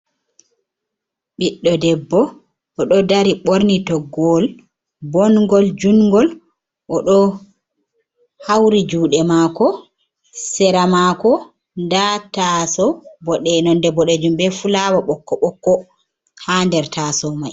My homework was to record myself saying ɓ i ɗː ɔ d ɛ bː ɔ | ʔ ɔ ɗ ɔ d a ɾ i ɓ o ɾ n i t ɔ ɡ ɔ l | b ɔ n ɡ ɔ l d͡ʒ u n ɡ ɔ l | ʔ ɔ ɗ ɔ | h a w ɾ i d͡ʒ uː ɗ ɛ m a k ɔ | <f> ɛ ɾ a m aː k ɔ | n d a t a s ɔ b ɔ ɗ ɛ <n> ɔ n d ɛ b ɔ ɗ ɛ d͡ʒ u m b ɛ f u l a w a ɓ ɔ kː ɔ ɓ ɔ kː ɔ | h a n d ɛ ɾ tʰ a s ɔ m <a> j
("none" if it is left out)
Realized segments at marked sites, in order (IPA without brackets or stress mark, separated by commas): s, n, a